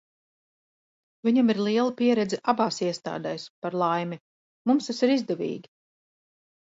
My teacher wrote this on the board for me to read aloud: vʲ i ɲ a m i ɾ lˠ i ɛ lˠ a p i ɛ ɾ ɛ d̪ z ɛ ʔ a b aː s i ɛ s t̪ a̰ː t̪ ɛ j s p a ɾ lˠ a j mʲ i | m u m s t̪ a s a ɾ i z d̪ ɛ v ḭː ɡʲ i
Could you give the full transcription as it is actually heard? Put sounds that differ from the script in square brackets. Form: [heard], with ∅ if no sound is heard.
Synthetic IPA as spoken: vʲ i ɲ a m i ɾ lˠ i ɛ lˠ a p i ɛ ɾ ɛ d̪ z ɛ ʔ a b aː s i ɛ s t̪ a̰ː [d̪] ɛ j s p a ɾ lˠ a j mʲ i | m u m s t̪ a s [i] ɾ i z d̪ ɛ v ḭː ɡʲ i